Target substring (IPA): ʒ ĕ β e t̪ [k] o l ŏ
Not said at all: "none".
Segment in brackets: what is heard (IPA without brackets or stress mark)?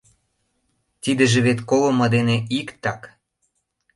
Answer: k